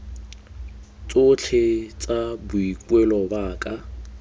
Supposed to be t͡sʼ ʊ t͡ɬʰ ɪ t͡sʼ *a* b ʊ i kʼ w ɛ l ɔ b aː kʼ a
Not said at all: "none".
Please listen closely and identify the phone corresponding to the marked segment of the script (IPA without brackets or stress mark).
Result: a